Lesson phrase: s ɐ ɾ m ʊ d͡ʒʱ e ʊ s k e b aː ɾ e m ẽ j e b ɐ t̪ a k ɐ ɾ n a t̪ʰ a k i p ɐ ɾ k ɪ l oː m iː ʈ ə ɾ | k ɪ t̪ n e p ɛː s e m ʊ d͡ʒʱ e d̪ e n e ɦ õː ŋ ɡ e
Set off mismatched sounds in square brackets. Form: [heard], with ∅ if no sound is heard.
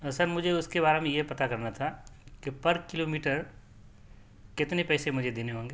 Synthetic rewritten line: s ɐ ɾ m ʊ d͡ʒʱ e ʊ s k e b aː ɾ e m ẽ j e [p] ɐ t̪ a k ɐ ɾ n a t̪ʰ a k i p ɐ ɾ k ɪ l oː m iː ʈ ə ɾ | k ɪ t̪ n e p ɛː s e m ʊ d͡ʒʱ e d̪ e n e ɦ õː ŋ ɡ e